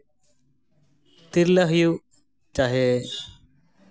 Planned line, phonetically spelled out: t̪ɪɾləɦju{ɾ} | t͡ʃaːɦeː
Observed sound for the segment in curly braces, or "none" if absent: none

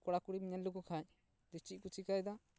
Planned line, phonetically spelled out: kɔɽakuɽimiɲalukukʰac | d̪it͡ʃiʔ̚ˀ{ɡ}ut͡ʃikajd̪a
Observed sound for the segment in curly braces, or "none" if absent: k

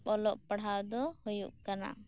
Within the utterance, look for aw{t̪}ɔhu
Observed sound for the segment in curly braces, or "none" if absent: d̪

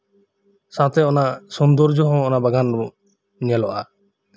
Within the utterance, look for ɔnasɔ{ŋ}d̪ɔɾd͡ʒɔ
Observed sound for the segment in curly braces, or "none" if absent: n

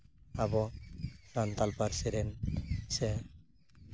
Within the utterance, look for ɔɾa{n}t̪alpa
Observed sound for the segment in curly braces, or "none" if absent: n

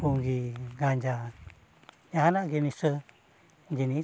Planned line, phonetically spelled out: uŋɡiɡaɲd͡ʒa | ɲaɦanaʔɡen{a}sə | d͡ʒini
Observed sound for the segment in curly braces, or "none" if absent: i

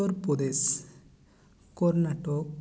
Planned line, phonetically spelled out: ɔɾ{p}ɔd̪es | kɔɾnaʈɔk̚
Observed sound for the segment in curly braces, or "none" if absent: p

